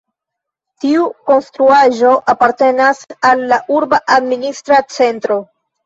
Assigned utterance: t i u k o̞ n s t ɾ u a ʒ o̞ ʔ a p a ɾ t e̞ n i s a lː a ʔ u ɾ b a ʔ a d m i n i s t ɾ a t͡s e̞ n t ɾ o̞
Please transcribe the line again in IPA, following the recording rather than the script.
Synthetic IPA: t i u k o̞ n s t ɾ u a ʒ o̞ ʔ a p a ɾ t e̞ n a s a lː a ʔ u ɾ b a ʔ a d m i n i s t ɾ a t͡s e̞ n t ɾ o̞